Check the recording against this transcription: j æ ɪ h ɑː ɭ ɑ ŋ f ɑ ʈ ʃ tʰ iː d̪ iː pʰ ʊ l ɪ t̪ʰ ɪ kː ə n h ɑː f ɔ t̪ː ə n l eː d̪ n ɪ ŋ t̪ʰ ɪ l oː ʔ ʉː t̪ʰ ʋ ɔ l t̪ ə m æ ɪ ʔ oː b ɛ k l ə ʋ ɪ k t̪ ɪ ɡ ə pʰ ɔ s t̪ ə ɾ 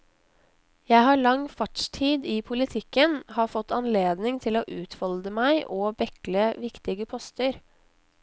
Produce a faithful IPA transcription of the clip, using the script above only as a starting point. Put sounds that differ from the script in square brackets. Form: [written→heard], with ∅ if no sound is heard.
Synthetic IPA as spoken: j æ ɪ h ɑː ɭ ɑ ŋ f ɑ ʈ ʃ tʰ iː d̪ iː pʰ ʊ l ɪ t̪ʰ ɪ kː ə n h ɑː f ɔ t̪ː [ə→ɑ] n l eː d̪ n ɪ ŋ t̪ʰ ɪ l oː ʔ ʉː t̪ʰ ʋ ɔ l [t̪→d̪] ə m æ ɪ ʔ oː b ɛ k l ə ʋ ɪ k t̪ ɪ ɡ ə pʰ ɔ s t̪ ə ɾ